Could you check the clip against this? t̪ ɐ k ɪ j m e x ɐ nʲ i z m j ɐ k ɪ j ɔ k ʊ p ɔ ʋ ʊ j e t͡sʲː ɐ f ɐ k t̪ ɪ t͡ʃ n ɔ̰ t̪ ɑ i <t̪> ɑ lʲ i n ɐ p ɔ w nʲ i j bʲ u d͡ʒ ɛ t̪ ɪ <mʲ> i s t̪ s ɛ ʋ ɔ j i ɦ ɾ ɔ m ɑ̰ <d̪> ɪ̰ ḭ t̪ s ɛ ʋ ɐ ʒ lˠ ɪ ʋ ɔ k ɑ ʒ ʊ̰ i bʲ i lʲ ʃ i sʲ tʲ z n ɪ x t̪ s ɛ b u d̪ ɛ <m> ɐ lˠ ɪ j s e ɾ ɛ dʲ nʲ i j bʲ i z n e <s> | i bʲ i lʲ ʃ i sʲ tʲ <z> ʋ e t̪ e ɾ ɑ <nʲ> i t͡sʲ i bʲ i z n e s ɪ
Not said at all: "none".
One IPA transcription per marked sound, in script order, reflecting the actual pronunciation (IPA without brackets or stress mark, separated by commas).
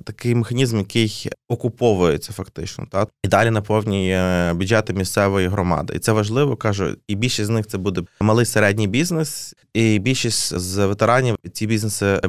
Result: d̪, mʲ, d̪, m, s, z, nʲ